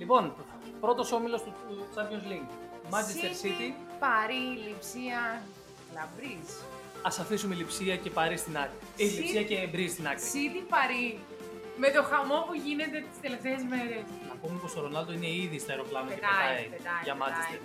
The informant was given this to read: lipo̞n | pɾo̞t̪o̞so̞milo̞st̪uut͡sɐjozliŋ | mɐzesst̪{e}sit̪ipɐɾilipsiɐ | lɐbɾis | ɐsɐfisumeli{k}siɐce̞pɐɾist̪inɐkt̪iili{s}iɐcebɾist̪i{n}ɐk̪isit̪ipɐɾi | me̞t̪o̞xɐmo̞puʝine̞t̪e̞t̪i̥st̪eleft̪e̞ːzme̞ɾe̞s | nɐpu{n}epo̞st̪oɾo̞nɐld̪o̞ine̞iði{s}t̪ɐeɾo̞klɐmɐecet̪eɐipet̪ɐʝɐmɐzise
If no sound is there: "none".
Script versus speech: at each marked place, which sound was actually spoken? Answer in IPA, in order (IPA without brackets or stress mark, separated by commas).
e, p, s, n, m, s